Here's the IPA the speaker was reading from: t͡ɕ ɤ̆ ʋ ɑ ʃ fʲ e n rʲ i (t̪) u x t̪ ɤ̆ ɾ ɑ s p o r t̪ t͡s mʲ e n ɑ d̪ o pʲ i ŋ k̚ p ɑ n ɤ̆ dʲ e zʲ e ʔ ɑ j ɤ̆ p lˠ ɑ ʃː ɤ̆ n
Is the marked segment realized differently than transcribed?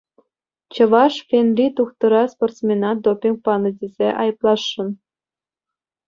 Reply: no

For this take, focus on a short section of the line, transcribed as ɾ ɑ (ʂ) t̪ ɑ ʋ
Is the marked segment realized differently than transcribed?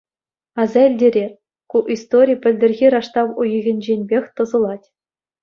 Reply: no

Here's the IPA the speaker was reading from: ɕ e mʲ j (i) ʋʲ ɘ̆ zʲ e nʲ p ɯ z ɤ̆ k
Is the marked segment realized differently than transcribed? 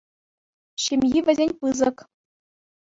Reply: no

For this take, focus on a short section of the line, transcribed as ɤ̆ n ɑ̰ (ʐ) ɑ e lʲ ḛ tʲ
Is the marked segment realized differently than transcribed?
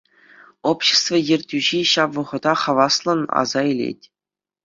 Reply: yes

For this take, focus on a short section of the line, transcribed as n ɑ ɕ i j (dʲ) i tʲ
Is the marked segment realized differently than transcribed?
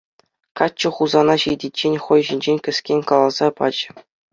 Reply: no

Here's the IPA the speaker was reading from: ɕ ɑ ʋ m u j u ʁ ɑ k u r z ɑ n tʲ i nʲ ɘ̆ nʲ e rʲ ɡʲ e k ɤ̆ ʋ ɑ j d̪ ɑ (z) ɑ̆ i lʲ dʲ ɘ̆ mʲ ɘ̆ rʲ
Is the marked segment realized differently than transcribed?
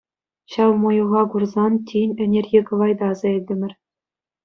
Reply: no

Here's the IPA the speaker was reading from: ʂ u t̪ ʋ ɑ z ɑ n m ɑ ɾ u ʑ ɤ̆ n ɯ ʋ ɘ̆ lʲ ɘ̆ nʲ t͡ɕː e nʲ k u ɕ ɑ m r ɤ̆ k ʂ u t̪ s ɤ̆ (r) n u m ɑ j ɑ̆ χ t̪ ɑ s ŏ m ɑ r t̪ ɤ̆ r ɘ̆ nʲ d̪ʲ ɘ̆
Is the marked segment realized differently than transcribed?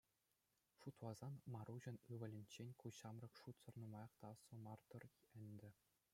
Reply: no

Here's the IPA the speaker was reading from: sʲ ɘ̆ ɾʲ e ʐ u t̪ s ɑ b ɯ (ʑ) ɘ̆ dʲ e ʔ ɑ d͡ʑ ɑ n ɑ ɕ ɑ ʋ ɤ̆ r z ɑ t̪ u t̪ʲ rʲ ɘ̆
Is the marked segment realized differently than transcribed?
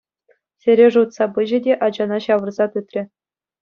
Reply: no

